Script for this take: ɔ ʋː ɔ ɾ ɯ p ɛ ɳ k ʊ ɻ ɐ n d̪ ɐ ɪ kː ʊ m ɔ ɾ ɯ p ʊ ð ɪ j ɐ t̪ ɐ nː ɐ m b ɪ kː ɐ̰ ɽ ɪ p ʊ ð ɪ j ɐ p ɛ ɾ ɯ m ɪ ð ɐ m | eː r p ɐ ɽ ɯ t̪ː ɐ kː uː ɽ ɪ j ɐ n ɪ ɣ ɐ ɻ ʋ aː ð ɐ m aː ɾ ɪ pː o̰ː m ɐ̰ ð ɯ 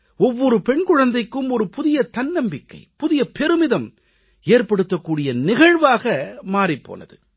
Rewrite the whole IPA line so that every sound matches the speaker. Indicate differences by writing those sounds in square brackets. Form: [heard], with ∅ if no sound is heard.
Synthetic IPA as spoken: ɔ ʋː ɔ ɾ ɯ p ɛ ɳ k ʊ ɻ ɐ n d̪ ɐ ɪ kː [ɯ] m ɔ ɾ ɯ p ʊ ð ɪ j ɐ t̪ ɐ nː ɐ m b ɪ kː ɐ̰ [∅] ɪ p ʊ ð ɪ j ɐ p ɛ ɾ ɯ m ɪ ð ɐ m | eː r p ɐ ɽ ɯ t̪ː ɐ kː uː ɽ ɪ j ɐ n ɪ ɣ ɐ ɻ ʋ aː [ɣ] ɐ m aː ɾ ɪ pː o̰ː [n] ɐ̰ ð ɯ